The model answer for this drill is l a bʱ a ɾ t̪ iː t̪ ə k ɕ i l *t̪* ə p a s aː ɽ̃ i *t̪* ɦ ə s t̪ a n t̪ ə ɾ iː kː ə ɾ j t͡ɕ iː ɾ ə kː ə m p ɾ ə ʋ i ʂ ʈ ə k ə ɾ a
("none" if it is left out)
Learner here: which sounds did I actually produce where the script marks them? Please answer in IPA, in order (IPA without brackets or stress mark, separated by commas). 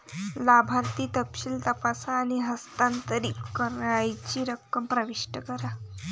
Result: t̪, none